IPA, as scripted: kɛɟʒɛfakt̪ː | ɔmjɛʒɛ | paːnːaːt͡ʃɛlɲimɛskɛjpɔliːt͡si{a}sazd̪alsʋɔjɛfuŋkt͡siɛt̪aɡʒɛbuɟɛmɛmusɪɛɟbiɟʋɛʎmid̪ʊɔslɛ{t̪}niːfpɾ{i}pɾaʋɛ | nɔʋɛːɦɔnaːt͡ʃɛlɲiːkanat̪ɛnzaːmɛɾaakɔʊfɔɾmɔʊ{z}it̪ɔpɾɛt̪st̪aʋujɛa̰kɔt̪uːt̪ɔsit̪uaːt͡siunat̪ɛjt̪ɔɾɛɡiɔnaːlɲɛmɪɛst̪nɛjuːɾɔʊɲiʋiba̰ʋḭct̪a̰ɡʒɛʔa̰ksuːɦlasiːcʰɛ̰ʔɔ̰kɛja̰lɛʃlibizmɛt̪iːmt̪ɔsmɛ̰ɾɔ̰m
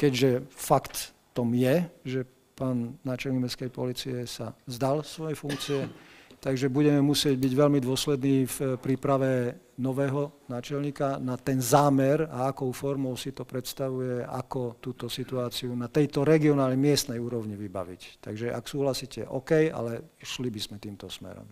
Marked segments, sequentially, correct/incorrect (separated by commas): incorrect, incorrect, incorrect, incorrect